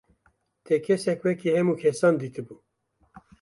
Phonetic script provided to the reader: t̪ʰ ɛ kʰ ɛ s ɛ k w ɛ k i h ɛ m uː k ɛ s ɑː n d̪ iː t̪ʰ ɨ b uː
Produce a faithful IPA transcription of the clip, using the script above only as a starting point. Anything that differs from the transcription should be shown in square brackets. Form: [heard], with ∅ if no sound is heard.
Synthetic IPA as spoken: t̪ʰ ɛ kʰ ɛ s ɛ k w ɛ k i h ɛ m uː [kʰ] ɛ s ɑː n d̪ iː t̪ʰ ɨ b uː